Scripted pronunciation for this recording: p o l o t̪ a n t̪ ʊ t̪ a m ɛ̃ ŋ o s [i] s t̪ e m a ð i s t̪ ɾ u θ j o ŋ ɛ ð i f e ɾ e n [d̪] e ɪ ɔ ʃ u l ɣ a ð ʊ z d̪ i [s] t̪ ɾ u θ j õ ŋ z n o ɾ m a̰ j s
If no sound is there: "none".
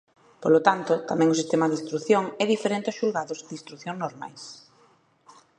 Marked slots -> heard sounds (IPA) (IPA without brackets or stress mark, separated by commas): i, t̪, s